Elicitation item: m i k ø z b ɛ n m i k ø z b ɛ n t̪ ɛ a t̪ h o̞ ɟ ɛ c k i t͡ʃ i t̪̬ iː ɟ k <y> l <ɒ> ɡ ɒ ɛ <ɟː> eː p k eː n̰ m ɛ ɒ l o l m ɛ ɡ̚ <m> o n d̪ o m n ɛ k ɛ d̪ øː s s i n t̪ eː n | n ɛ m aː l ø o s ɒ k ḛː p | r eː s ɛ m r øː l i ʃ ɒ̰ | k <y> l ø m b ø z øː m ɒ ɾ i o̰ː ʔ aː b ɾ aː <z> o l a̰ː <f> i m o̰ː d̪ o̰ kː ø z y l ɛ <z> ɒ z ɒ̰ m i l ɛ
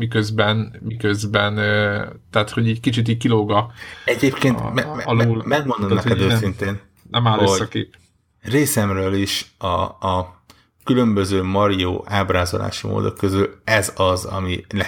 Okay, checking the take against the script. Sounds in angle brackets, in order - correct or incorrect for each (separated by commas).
incorrect, incorrect, incorrect, correct, correct, correct, incorrect, correct